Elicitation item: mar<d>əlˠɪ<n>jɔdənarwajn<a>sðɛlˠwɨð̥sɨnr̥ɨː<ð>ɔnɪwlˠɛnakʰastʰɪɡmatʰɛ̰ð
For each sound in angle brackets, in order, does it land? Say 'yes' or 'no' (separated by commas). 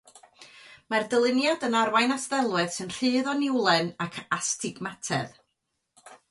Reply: yes, yes, yes, yes